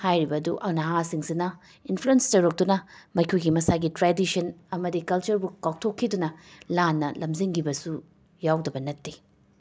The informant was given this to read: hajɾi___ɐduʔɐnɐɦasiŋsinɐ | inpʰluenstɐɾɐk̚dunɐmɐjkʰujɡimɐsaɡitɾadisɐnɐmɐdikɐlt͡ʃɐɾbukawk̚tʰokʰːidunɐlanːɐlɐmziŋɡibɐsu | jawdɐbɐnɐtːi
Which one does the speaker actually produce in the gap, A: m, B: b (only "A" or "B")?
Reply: B